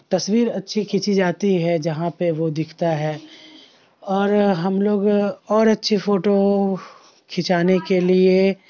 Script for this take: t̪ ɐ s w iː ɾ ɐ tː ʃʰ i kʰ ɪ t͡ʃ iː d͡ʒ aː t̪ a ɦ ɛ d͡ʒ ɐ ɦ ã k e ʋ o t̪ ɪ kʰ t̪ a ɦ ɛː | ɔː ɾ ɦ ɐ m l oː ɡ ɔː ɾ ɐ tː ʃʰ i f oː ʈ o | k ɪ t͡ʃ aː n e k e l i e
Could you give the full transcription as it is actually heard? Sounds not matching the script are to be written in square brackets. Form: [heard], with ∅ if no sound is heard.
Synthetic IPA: t̪ ɐ s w iː ɾ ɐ tː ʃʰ i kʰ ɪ t͡ʃ [i] d͡ʒ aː t̪ [i] ɦ ɛ d͡ʒ ɐ ɦ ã [p] e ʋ o [d̪] ɪ kʰ t̪ a ɦ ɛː | ɔː ɾ ɦ ɐ m l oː ɡ ɔː ɾ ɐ tː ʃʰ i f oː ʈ o | [kʰ] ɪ t͡ʃ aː n e k e l i e

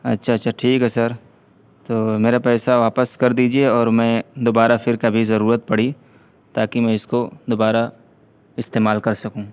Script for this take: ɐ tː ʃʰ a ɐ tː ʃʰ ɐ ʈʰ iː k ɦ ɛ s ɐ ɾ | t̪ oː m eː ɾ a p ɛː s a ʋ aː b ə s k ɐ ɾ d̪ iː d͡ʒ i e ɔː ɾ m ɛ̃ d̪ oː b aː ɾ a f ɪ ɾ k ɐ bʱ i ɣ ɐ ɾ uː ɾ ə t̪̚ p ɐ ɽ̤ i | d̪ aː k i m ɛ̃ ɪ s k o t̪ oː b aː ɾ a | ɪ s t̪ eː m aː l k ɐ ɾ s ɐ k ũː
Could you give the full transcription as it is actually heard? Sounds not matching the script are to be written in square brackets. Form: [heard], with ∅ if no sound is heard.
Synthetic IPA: ɐ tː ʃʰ a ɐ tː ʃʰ [a] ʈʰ iː k ɦ ɛ s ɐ ɾ | t̪ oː m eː ɾ a p ɛː s a ʋ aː [p] ə s k ɐ ɾ d̪ iː d͡ʒ i e ɔː ɾ m ɛ̃ d̪ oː b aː ɾ a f ɪ ɾ k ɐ bʱ i [z] ɐ ɾ uː ɾ ə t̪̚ p ɐ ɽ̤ i | [t̪] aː k i m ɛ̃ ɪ s k o [d̪] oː b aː ɾ a | ɪ s t̪ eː m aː l k ɐ ɾ s ɐ k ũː

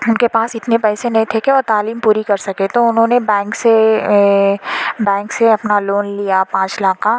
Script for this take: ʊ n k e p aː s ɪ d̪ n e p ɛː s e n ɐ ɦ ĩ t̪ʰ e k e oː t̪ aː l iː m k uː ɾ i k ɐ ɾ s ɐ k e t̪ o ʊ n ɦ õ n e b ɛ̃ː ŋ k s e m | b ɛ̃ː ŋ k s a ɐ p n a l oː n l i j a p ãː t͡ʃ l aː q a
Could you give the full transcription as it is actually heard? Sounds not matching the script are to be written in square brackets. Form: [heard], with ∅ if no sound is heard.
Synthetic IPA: ʊ n k e p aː s ɪ [t̪] n e p ɛː s e n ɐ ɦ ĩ t̪ʰ e k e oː t̪ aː l iː m [p] uː ɾ i k ɐ ɾ s ɐ k e t̪ o ʊ n ɦ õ n e b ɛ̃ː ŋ k s e [∅] | b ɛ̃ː ŋ k s [e] ɐ p n a l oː n l i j a p ãː t͡ʃ l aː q a

